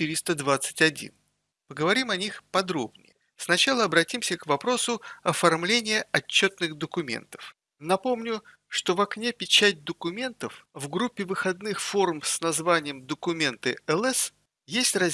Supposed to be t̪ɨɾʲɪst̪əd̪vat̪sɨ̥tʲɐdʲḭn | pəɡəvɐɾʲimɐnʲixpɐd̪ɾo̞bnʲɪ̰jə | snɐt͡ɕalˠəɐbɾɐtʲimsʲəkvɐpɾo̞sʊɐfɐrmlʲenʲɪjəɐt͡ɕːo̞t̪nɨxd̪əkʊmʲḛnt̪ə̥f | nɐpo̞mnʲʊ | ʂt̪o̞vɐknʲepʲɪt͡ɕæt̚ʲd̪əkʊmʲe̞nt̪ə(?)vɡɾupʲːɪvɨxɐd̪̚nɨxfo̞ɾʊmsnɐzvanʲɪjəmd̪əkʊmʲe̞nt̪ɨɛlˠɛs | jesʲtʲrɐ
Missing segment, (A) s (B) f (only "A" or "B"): B